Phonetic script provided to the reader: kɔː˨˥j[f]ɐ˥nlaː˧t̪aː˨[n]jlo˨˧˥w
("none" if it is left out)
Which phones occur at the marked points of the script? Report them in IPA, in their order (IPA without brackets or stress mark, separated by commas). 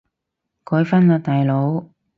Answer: f, none